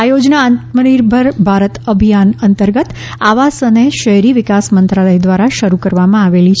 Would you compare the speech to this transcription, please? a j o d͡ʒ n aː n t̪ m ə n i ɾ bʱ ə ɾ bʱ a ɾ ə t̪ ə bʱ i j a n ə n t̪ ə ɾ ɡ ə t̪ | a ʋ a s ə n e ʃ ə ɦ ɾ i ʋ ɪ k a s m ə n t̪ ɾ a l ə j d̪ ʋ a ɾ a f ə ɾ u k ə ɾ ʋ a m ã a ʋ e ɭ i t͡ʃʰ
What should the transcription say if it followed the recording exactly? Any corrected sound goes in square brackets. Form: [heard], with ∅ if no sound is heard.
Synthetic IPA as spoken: a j o d͡ʒ n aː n t̪ m ə n i ɾ bʱ ə ɾ bʱ a ɾ ə t̪ ə bʱ i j a n ə n t̪ ə ɾ ɡ ə t̪ | a ʋ a s ə n e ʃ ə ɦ ɾ i ʋ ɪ k a s m ə n t̪ ɾ a l ə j d̪ ʋ a ɾ a [ʃ] ə ɾ u k ə ɾ ʋ a m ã a ʋ e [l] i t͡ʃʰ